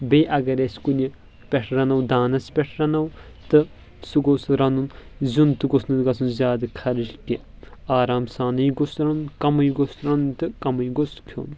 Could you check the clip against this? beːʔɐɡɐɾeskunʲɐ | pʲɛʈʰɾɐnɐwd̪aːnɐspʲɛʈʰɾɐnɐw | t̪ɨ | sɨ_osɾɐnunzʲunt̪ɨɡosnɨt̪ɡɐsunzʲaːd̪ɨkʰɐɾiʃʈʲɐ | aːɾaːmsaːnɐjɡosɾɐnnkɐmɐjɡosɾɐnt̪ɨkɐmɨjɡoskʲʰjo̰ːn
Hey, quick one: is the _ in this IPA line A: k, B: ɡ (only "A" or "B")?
B